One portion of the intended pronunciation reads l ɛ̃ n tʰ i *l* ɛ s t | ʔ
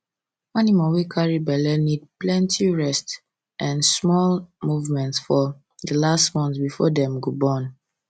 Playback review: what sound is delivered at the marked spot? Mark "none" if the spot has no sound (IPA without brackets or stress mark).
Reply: ɹ